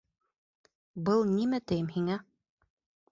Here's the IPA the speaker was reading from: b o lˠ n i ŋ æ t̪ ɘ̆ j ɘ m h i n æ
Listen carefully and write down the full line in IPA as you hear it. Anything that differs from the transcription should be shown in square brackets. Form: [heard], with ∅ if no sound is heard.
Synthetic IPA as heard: b [ɤ] lˠ n i [m] æ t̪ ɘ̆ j ɘ m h i [ŋ] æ